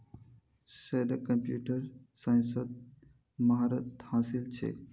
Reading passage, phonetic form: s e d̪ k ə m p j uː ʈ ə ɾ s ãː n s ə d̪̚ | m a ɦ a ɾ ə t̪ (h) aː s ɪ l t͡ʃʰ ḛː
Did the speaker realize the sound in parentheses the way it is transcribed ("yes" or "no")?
yes